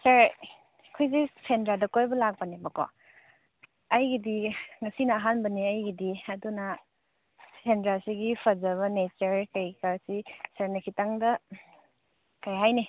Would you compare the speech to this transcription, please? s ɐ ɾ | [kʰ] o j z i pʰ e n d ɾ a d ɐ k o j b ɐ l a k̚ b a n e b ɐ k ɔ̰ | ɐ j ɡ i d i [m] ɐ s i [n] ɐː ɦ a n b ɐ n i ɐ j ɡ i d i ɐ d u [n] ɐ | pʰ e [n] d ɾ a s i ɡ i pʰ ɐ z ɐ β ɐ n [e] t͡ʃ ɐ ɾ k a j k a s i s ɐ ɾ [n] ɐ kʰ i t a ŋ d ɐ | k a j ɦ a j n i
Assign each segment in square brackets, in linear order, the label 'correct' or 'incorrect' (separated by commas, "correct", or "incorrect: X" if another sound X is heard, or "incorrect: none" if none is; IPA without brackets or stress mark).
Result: correct, incorrect: ŋ, correct, correct, correct, correct, correct